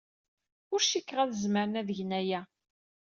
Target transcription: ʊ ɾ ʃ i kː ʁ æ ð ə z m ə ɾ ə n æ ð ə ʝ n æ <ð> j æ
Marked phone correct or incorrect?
incorrect